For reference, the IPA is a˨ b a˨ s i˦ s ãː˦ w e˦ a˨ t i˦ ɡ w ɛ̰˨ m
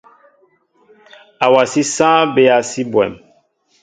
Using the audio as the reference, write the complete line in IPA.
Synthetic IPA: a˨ w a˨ s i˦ s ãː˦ b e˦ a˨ s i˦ b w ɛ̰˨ m